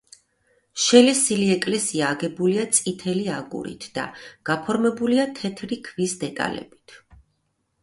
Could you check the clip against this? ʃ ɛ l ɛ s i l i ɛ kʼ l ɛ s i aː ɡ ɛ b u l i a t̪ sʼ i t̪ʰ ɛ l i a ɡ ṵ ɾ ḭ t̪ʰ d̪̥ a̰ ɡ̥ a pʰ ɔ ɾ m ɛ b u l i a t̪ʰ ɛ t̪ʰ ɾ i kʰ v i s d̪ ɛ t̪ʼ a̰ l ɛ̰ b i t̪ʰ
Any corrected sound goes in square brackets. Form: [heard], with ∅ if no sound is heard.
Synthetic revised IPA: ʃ ɛ l ɛ s i l i ɛ kʼ l ɛ s i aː ɡ ɛ b u l i a t̪ sʼ i t̪ʰ ɛ l i a ɡ ṵ ɾ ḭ t̪ʰ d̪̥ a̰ ɡ̥ a pʰ ɔ ɾ m ɛ b u l i a t̪ʰ ɛ t̪ʰ ɾ i kʰ v i s d̪ ɛ t̪ʼ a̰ l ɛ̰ b i t̪ʰ